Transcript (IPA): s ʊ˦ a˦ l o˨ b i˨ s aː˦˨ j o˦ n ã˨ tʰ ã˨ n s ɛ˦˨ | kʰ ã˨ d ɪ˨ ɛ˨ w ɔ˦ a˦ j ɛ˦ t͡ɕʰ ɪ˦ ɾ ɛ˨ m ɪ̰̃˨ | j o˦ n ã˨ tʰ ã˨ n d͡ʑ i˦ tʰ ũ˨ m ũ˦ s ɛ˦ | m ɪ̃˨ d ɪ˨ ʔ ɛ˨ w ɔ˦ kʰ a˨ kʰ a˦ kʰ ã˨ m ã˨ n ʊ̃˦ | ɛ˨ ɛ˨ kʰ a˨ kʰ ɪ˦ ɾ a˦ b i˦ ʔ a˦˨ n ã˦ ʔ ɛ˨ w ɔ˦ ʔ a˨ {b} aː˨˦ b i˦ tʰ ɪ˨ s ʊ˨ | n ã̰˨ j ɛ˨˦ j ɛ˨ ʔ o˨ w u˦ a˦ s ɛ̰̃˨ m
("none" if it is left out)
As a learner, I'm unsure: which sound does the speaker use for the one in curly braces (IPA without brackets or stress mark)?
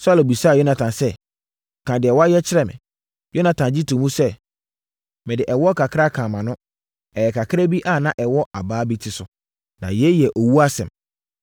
b